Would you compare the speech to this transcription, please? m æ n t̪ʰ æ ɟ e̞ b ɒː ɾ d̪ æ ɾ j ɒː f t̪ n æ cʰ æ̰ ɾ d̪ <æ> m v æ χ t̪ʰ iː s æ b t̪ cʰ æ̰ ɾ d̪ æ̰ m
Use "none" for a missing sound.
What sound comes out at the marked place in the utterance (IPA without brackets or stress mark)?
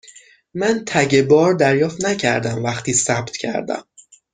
æ